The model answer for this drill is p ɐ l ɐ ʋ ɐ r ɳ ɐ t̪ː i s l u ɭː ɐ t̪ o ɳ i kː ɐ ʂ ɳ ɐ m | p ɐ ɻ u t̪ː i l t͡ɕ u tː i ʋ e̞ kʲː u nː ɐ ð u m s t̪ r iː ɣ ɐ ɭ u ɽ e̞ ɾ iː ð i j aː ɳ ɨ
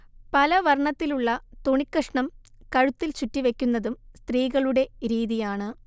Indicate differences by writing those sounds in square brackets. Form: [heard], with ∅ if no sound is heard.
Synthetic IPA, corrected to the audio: p ɐ l ɐ ʋ ɐ r ɳ ɐ t̪ː i [∅] l u ɭː ɐ t̪ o ɳ i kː ɐ ʂ ɳ ɐ m | [k] ɐ ɻ u t̪ː i l t͡ɕ u tː i ʋ e̞ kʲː u nː ɐ ð u m s t̪ r iː ɣ ɐ ɭ u ɽ e̞ ɾ iː ð i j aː ɳ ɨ

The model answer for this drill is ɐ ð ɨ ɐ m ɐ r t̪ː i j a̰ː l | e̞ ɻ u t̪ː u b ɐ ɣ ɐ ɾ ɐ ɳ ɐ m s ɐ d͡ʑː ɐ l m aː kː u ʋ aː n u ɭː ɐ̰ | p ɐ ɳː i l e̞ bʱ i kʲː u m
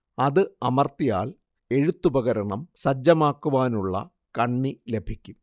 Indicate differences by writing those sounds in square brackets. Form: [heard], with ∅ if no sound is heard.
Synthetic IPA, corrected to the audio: ɐ ð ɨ ɐ m ɐ r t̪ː i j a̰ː l | e̞ ɻ u t̪ː u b ɐ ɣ ɐ ɾ ɐ ɳ ɐ m s ɐ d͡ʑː ɐ [∅] m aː kː u ʋ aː n u ɭː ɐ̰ | [k] ɐ ɳː i l e̞ bʱ i kʲː u m

